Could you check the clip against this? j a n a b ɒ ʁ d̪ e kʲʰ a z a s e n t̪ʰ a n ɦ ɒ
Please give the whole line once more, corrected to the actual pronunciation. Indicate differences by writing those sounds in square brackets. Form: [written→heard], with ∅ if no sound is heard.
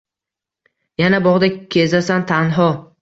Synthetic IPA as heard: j a n a b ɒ ʁ d̪ [e→a] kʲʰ [a→e] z a s [e→a] n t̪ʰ a n ɦ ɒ